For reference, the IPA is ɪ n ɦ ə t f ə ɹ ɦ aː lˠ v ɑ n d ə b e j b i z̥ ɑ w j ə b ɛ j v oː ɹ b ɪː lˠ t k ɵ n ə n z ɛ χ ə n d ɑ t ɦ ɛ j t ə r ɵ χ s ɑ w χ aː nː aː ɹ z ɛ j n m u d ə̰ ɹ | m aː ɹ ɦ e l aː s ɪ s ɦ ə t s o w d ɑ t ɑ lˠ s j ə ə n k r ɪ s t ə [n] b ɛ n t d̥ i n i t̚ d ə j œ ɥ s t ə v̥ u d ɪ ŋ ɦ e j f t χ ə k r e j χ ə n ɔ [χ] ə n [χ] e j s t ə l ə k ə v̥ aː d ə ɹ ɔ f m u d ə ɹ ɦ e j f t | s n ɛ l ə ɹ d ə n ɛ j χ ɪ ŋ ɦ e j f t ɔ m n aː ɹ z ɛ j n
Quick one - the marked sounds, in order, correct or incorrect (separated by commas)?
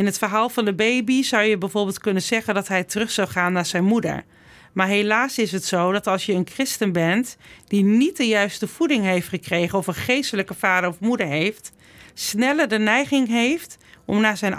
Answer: correct, incorrect, correct